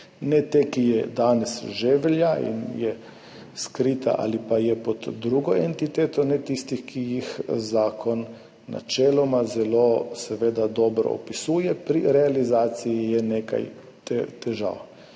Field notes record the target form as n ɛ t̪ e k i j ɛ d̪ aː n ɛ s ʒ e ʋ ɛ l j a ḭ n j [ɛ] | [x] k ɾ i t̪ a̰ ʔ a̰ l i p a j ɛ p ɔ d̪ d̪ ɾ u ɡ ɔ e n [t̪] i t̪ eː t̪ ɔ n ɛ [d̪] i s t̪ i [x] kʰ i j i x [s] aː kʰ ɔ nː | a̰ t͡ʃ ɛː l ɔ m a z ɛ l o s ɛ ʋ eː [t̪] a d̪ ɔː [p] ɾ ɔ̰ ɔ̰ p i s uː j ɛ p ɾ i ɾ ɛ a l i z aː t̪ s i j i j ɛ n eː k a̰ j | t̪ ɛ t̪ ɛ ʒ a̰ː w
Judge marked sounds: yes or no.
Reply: yes, no, yes, no, yes, no, no, no

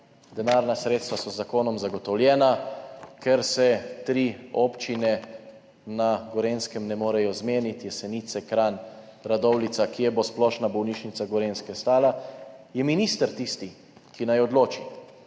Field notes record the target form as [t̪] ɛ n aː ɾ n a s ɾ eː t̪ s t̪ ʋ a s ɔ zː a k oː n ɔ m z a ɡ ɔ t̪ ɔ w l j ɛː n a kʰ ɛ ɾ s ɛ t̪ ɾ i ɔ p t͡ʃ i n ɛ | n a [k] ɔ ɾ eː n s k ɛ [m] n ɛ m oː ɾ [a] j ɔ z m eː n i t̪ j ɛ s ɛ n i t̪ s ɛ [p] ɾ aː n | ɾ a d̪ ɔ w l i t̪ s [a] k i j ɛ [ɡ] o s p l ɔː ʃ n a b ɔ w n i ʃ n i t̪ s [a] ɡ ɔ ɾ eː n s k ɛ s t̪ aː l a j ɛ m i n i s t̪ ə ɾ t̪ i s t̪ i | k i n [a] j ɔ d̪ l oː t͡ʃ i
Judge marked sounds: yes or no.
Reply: no, no, yes, no, no, yes, no, yes, yes

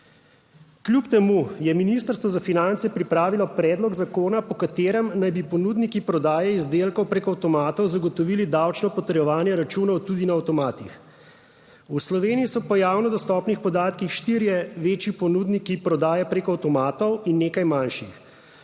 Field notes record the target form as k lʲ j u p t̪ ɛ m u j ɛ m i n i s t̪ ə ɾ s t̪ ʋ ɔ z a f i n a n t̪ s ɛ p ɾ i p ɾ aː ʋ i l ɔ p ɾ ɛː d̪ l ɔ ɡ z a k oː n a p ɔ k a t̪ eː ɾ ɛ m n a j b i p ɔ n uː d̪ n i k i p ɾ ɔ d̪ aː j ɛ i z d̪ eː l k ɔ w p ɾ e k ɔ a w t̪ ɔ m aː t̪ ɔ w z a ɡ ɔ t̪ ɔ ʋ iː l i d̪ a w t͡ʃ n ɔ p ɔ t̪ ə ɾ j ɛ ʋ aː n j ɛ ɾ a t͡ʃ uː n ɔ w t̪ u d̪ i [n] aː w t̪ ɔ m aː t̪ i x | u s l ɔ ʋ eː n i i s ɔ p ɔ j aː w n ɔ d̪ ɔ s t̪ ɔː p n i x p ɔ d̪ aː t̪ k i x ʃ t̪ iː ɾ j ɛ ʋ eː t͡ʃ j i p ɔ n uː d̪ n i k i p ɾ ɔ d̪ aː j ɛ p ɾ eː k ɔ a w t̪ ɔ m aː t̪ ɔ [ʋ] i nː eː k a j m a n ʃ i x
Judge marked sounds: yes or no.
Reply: yes, no

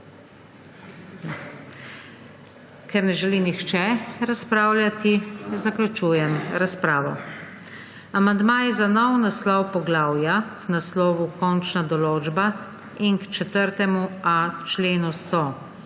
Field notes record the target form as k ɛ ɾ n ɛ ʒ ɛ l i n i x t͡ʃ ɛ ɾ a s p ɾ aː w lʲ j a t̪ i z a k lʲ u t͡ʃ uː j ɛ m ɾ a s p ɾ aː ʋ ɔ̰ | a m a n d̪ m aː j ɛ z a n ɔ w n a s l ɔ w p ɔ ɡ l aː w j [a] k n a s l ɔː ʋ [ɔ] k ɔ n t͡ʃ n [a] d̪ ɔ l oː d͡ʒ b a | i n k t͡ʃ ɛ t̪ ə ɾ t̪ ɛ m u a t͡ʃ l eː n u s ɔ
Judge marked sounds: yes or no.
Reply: yes, no, yes

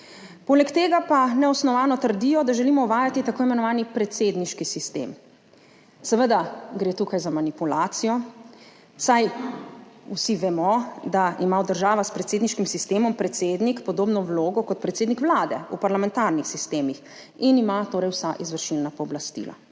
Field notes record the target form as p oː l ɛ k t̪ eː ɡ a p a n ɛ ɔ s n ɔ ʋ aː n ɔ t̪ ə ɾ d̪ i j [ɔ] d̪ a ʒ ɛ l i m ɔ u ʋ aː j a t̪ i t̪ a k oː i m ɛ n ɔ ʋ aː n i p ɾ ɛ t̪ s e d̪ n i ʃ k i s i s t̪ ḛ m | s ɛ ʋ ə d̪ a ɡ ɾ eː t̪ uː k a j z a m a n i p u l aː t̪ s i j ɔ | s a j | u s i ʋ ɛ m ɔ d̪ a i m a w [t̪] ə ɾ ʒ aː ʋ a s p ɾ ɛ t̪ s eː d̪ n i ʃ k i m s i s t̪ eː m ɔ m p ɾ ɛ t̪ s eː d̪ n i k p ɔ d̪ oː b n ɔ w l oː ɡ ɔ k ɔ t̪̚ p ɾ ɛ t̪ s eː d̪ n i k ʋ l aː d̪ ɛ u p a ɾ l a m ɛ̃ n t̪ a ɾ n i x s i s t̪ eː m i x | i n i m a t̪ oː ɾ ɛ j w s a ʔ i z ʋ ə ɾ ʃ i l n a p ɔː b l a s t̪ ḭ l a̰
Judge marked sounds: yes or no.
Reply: yes, no

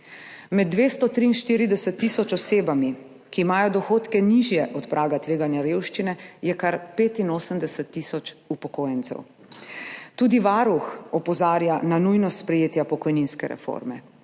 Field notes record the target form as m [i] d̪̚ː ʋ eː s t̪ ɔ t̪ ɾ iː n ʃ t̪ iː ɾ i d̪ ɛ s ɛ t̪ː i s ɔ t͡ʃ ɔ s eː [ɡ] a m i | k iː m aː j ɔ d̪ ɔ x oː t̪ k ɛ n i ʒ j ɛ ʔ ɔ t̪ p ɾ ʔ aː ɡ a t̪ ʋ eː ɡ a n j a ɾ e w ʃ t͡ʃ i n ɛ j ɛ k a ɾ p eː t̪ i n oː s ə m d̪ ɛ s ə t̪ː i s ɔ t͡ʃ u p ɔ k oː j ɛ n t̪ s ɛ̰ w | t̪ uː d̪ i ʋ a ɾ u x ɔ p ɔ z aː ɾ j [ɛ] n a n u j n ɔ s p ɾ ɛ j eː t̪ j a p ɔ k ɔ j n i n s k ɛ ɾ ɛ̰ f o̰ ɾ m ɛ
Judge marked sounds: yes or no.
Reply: no, no, no

